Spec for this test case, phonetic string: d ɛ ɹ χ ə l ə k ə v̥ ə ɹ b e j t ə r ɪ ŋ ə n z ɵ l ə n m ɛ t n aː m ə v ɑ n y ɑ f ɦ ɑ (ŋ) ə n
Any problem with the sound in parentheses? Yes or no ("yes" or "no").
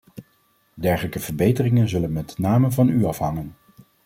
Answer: no